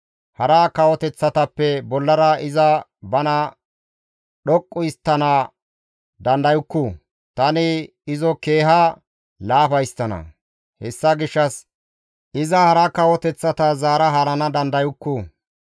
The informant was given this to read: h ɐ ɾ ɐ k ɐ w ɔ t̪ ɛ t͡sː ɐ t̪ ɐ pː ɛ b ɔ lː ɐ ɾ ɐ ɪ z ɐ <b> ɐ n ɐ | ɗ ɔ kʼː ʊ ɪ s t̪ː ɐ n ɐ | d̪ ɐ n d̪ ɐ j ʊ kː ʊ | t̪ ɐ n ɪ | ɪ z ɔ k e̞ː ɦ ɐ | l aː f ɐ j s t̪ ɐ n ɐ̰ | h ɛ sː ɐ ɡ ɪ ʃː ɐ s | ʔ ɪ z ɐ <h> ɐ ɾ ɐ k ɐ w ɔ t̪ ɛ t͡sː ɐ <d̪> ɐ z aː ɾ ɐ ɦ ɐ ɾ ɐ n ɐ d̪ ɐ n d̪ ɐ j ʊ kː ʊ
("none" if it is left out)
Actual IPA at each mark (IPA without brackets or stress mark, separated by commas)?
b, h, t̪